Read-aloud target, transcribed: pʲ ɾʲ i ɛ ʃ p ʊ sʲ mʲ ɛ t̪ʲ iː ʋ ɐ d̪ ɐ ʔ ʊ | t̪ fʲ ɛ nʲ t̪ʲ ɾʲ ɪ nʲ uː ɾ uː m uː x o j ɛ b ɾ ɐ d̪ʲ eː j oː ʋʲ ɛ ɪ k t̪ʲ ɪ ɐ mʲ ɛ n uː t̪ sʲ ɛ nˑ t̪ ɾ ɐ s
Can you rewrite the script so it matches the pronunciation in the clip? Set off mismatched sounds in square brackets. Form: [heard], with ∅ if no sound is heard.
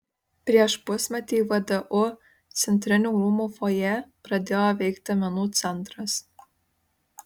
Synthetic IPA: pʲ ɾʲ i ɛ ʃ p ʊ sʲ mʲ ɛ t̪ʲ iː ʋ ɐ d̪ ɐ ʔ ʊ | t̪ [sʲ] ɛ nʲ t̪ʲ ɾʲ ɪ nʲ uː ɾ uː m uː [f] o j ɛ [p] ɾ ɐ d̪ʲ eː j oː ʋʲ ɛ ɪ k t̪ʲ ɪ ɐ mʲ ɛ n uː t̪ sʲ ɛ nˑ t̪ ɾ ɐ s